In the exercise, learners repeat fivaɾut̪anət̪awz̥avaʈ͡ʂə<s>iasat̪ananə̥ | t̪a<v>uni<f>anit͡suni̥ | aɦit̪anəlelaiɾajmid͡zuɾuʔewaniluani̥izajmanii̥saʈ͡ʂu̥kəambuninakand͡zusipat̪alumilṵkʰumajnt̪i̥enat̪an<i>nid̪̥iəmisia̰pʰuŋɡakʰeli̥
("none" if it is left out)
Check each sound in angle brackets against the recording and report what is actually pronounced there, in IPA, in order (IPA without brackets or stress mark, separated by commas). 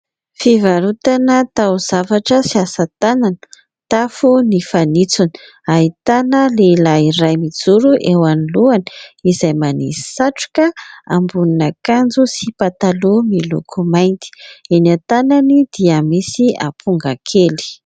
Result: s, f, f, a